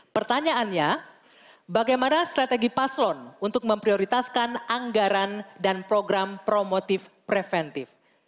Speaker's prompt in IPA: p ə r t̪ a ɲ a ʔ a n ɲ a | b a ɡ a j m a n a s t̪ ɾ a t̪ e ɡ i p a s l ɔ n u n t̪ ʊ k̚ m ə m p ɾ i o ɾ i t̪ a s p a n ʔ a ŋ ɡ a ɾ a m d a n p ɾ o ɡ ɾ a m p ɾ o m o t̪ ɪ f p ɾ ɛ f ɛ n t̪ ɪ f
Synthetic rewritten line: p ə r t̪ a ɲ a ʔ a n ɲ a | b a ɡ a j m a n a s t̪ ɾ a t̪ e ɡ i p a s l ɔ n u n t̪ ʊ k̚ m ə m p ɾ i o ɾ i t̪ a s k a n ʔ a ŋ ɡ a ɾ a n d a n p ɾ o ɡ ɾ a m p ɾ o m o t̪ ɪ f p ɾ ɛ f ɛ n t̪ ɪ f